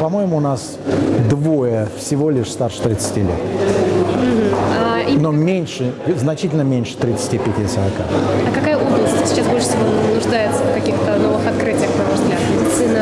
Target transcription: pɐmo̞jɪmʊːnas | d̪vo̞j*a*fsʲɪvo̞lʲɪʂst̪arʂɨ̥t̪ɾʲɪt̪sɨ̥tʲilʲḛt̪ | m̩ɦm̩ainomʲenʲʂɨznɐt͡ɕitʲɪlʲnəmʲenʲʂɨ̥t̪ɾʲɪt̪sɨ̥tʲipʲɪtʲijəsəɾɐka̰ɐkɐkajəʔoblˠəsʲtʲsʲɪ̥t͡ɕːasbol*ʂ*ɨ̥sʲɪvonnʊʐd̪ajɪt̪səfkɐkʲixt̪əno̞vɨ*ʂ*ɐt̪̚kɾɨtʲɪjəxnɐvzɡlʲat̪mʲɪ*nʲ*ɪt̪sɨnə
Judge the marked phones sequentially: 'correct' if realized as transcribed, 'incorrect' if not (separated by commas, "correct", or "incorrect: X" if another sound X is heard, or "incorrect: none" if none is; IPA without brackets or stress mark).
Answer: incorrect: ə, correct, incorrect: x, incorrect: dʲ